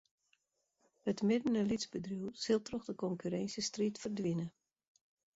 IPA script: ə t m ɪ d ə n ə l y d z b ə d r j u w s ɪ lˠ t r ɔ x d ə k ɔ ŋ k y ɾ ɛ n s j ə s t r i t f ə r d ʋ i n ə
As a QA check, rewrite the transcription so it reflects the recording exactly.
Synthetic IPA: ə t m ɪ d ə n ə l i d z b ə d r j u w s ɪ lˠ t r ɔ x d ə k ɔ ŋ k y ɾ ɛ n s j ə s t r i t f ə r d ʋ i n ə